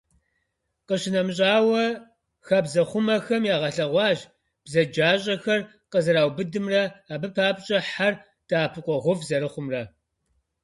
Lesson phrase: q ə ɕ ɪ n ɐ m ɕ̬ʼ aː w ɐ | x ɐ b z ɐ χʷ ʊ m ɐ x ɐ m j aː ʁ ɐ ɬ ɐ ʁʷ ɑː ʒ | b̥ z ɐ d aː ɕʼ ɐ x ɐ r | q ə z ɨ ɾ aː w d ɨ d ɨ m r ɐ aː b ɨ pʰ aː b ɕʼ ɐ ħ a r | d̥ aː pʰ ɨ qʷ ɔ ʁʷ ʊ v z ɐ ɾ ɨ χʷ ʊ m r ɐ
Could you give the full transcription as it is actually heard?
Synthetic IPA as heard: q ə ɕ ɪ n ɐ m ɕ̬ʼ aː w ɐ | x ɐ b z ɐ χʷ ʊ m ɐ x ɐ m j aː ʁ ɐ ɬ ɐ ʁʷ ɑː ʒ | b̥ z ɐ d͡ʒ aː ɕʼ ɐ x ɐ r | q ə z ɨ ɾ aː w b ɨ d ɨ m r ɐ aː b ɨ pʰ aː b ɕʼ ɐ ħ a r | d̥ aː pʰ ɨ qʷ ɔ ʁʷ ʊ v z ɐ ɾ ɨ χʷ ʊ m r ɐ